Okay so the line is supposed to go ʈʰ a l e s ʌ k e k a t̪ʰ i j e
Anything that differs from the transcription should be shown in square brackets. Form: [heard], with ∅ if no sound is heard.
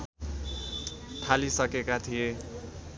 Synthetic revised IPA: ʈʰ a l [i] s ʌ k e k a t̪ʰ i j e